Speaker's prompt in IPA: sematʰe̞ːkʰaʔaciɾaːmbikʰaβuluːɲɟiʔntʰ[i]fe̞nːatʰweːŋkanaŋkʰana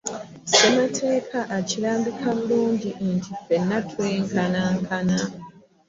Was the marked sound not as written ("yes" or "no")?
no